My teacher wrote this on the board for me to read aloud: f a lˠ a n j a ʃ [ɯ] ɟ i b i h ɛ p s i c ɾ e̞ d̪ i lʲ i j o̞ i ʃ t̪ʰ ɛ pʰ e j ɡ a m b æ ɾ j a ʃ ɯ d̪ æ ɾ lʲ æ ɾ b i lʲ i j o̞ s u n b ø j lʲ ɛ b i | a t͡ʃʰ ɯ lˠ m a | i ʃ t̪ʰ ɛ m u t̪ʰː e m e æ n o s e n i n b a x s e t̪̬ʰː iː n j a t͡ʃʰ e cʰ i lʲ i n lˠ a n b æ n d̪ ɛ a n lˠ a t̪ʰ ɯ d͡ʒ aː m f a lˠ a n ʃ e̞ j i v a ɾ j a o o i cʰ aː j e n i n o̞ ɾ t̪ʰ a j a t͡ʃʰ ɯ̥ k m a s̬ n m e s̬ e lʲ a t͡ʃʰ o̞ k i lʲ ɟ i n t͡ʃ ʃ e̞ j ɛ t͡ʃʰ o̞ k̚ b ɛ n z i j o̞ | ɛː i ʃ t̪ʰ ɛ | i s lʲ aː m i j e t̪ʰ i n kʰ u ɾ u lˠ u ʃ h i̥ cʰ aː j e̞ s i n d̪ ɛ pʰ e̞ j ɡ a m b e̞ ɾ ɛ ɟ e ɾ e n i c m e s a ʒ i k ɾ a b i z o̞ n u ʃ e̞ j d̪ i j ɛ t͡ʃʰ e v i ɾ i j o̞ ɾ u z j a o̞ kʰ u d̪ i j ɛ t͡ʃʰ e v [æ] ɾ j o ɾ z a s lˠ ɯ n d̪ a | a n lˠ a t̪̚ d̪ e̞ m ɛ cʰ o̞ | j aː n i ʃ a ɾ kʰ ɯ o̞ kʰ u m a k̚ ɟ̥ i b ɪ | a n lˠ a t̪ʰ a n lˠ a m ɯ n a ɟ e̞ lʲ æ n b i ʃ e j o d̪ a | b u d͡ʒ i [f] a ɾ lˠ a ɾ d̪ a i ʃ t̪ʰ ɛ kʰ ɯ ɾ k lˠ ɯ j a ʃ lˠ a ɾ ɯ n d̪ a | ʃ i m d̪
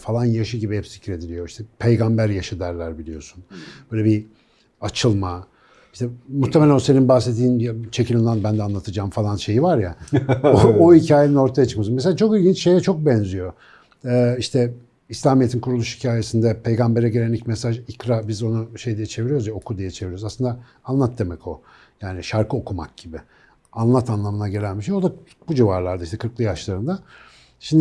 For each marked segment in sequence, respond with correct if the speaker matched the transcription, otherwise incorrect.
correct, incorrect: i, incorrect: v

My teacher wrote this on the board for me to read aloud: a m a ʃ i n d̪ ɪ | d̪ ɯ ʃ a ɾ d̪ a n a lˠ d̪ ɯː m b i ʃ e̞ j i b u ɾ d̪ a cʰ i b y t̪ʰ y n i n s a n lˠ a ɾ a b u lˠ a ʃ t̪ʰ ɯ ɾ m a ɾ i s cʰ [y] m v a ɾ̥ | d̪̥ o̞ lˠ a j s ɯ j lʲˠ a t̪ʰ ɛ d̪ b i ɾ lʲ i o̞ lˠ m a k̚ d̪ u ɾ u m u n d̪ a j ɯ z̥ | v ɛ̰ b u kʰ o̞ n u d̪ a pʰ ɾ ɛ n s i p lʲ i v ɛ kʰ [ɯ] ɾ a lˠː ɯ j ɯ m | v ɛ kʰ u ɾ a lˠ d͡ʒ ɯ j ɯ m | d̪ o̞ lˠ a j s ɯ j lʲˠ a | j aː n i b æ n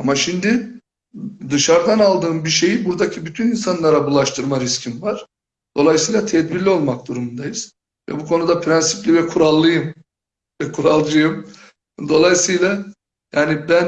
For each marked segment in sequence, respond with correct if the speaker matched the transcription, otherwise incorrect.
incorrect: i, incorrect: u

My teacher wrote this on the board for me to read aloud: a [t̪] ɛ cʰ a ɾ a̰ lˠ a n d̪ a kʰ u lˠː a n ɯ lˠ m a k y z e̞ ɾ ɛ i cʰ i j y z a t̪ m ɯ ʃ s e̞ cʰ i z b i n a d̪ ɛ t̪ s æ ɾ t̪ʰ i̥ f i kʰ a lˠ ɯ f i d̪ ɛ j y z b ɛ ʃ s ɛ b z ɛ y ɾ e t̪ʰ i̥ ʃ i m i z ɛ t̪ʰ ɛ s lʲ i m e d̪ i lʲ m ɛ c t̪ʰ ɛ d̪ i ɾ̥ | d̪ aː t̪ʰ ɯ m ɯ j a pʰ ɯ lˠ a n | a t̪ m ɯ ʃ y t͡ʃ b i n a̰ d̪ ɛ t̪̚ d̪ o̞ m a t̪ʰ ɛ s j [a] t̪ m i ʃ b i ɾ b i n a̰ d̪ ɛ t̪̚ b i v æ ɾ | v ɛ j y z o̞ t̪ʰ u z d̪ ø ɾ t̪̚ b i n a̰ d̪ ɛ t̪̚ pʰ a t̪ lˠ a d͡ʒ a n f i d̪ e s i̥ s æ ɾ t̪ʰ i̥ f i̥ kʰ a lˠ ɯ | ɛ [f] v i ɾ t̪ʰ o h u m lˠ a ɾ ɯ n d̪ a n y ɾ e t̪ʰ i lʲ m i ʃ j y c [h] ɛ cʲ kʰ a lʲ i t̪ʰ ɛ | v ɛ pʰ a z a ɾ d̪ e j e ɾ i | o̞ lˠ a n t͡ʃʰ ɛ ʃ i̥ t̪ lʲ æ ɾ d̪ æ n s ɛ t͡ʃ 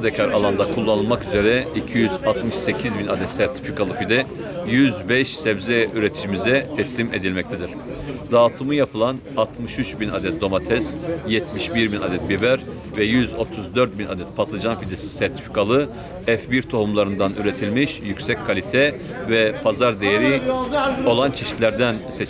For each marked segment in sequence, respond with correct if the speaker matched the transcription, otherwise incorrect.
incorrect: d̪, incorrect: ɛ, correct, incorrect: s

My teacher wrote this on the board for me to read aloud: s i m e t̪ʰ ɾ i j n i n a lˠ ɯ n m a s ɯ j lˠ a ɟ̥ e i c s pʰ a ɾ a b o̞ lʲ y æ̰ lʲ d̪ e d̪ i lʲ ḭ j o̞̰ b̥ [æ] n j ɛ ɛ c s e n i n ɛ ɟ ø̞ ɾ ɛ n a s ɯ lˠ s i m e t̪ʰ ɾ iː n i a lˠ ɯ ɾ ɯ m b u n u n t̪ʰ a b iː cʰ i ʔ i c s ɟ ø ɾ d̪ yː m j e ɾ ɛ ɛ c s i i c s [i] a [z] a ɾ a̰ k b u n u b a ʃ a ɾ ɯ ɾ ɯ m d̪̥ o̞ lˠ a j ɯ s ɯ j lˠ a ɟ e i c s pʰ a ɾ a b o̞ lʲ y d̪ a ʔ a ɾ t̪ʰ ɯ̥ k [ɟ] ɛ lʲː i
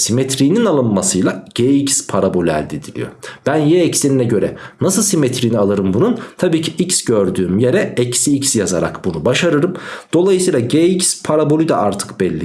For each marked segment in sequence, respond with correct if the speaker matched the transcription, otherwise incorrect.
correct, incorrect: j, correct, incorrect: b

